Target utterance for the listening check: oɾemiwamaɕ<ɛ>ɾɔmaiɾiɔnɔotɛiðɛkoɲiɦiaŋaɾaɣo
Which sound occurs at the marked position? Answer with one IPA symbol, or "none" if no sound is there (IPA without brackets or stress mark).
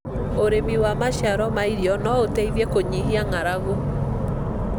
a